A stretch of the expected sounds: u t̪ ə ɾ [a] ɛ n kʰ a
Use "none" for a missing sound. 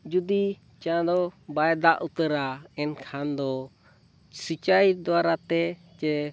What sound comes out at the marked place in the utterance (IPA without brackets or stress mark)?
a